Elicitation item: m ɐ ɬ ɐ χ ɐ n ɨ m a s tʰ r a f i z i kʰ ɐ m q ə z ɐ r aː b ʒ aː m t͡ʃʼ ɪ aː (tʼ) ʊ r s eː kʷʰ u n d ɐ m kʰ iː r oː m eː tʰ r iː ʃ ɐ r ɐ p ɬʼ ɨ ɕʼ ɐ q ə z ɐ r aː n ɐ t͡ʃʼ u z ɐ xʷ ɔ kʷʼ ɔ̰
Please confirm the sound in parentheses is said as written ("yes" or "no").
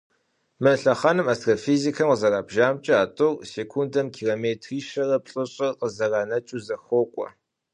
yes